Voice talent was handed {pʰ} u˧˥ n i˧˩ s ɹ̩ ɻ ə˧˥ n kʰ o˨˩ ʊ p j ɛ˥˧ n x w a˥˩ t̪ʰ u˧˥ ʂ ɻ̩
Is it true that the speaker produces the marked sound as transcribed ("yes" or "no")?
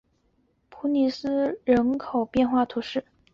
yes